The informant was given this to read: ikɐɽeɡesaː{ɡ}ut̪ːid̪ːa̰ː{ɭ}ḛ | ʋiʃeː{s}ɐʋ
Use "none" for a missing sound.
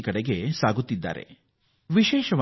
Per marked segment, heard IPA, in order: ɡ, ɾ, ʃ

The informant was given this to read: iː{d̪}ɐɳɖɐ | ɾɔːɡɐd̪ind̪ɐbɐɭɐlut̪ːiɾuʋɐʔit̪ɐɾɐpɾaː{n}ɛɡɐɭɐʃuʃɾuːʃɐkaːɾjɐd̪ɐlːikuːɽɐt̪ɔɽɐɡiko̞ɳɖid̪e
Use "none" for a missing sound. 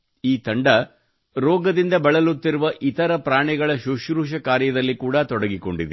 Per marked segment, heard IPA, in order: t̪, ɳ

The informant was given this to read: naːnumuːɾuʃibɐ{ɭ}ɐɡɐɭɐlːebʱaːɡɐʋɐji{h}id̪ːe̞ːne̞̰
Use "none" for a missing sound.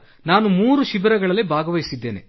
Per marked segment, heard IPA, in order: ɾ, s

